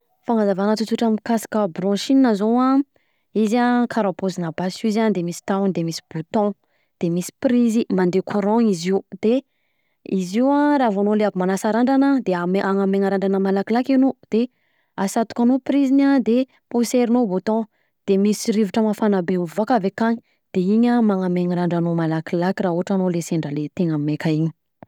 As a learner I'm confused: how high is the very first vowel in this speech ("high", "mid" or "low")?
low